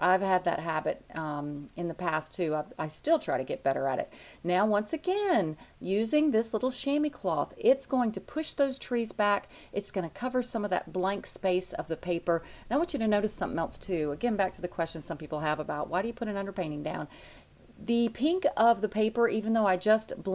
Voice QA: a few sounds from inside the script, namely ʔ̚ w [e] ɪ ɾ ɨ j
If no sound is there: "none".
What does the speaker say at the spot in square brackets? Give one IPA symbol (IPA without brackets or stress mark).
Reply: a